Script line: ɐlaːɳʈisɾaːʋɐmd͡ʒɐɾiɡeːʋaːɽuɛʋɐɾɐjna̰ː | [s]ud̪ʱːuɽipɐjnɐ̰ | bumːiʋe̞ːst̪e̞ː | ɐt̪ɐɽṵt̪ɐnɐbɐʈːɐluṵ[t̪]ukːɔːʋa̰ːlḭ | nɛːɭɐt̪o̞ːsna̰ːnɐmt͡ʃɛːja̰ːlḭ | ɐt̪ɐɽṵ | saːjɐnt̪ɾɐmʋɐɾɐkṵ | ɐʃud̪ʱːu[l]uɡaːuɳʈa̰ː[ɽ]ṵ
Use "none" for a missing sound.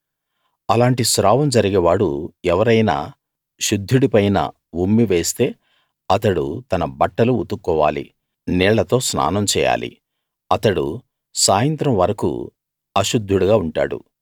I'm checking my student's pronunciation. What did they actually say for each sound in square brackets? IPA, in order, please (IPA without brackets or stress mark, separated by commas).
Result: ʃ, t̪, ɽ, ɽ